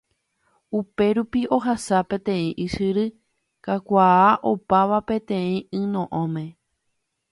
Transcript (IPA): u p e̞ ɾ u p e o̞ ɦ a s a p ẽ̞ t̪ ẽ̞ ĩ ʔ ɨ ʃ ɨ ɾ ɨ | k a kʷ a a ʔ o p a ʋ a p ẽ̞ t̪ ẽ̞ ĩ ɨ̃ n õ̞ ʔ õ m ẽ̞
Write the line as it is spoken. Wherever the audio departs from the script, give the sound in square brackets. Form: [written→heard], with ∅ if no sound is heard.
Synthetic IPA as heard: u p e̞ ɾ u p [e→i] o̞ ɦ a s a p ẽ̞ t̪ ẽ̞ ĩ ʔ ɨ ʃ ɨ ɾ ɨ | k a kʷ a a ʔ o p a ʋ a p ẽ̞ t̪ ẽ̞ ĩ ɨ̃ n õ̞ ʔ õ m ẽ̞